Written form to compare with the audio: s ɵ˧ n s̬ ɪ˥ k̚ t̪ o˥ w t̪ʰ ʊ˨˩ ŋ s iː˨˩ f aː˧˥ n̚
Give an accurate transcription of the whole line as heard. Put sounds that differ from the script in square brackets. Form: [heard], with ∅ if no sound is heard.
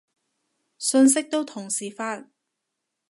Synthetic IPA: s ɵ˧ n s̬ ɪ˥ k̚ t̪ o˥ w t̪ʰ ʊ˨˩ ŋ s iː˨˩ f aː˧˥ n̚